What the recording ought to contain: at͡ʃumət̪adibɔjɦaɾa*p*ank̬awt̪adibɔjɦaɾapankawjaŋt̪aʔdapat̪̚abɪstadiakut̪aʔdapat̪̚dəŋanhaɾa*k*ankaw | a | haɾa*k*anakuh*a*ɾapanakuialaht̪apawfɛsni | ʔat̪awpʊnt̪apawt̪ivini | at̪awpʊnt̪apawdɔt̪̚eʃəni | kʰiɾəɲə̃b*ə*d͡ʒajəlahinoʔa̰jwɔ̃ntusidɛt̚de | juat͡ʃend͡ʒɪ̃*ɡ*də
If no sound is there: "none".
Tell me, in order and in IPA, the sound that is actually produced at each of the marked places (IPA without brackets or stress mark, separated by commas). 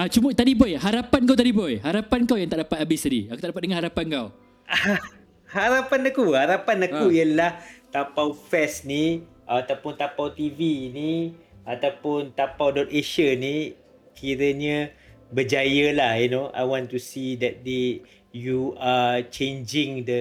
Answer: p, p, p, a, ə, ŋ